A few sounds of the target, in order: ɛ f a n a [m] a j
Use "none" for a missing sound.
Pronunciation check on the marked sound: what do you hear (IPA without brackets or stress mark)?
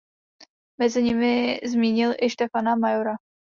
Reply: m